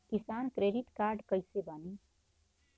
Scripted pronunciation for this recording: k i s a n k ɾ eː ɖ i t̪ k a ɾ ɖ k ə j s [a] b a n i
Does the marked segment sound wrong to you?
yes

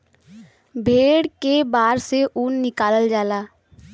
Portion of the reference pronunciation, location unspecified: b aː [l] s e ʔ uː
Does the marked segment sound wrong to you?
yes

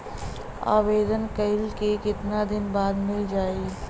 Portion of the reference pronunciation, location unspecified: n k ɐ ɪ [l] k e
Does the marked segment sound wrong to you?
no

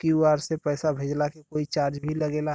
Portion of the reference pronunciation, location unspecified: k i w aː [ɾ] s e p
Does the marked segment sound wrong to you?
no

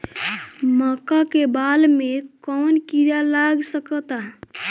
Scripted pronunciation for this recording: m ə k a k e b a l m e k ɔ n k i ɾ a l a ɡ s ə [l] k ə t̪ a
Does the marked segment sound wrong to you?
yes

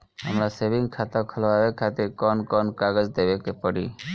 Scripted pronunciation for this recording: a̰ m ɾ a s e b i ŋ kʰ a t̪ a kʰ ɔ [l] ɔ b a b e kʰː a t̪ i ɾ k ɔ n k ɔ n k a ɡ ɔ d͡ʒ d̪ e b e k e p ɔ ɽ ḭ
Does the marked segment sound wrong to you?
no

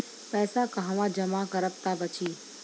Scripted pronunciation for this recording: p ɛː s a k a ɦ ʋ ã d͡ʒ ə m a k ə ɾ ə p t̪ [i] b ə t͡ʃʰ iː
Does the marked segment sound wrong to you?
yes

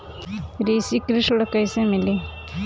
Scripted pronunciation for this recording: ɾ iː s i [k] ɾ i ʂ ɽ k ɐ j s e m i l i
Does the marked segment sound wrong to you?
no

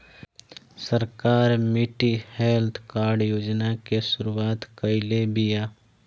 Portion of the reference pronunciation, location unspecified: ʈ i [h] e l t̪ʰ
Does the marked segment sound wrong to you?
no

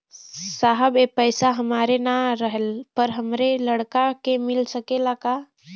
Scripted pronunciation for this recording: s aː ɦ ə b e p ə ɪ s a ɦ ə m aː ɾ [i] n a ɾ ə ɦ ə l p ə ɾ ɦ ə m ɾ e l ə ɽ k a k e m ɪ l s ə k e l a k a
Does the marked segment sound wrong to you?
yes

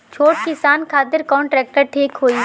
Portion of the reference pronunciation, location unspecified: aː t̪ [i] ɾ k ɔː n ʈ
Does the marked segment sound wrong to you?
yes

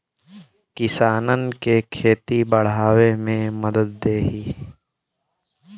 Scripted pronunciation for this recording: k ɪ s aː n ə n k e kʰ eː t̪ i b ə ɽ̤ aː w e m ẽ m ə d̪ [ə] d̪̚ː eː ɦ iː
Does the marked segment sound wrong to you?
no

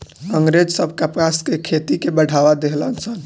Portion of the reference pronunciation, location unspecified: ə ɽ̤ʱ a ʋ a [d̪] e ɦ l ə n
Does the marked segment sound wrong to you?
no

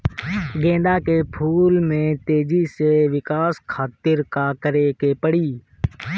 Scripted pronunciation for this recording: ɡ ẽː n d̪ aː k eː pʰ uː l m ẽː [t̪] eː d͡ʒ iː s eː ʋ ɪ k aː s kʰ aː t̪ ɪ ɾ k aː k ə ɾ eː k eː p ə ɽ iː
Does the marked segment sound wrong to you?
no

